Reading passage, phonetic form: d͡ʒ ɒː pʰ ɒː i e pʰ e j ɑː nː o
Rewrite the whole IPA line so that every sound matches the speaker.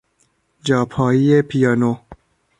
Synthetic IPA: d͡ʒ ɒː pʰ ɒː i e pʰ i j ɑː n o